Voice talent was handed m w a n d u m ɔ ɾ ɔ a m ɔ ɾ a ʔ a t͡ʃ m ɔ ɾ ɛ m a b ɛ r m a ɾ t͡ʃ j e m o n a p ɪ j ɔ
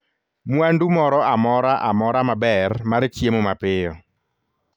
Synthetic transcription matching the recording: m w a n d u m ɔ ɾ ɔ a m ɔ ɾ a ʔ a m ɔ ɾ a m a b ɛ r m a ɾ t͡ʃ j e m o m a p ɪ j ɔ